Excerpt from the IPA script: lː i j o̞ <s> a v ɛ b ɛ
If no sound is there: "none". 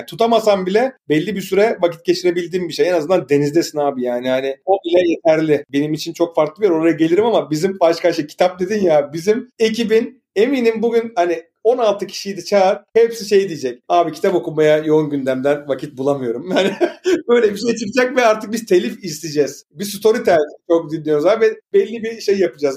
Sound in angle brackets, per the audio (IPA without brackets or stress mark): z